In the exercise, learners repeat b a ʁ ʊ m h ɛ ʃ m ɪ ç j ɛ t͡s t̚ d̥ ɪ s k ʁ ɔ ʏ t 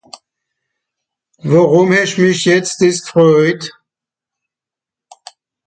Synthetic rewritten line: v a ʁ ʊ m h ɛ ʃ m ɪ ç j ɛ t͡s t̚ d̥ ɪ s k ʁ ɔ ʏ t